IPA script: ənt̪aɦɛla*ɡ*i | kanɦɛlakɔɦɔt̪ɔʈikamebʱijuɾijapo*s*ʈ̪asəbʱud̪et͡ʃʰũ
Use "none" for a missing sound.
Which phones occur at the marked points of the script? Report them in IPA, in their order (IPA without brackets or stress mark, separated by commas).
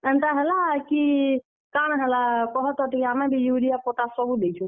k, none